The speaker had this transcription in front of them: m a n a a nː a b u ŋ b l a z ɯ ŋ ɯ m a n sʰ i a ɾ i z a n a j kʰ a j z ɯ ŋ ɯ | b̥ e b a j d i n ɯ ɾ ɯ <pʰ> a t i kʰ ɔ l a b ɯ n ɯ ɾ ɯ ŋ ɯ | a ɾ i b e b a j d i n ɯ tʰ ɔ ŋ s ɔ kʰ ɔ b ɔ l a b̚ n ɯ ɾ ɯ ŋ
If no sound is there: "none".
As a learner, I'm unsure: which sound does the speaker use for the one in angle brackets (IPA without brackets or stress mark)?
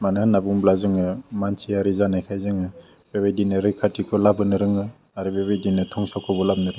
kʰ